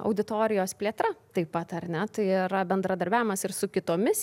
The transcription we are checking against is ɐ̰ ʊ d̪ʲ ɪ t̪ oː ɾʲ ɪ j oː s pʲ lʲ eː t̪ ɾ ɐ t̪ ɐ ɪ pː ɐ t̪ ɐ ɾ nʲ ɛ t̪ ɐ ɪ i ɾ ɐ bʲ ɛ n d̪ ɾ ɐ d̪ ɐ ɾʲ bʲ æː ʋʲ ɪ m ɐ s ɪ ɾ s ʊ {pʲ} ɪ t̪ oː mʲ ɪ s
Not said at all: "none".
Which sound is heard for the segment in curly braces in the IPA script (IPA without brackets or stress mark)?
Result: kʲ